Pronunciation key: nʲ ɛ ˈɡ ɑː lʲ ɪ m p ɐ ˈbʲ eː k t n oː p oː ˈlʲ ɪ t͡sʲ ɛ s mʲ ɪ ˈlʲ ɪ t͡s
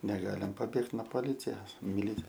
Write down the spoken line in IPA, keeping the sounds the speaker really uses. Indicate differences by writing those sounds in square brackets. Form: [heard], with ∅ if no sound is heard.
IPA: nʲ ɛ ˈɡ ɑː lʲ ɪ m p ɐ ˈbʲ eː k t n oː p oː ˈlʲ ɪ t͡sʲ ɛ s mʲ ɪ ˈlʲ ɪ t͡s